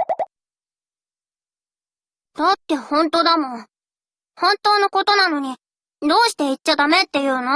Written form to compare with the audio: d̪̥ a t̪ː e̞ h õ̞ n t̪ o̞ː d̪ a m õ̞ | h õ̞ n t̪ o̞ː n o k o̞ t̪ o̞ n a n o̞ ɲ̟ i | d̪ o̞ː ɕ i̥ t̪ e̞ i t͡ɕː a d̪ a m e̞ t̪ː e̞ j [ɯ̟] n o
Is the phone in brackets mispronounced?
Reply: yes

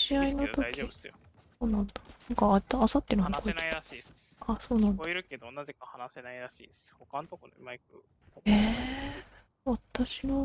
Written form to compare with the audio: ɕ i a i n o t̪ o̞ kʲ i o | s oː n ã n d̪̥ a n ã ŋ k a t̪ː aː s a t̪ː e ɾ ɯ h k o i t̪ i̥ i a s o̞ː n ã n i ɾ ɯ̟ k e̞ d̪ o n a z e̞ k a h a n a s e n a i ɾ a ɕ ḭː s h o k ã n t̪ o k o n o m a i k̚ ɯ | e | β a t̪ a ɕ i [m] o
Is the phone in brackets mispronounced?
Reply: yes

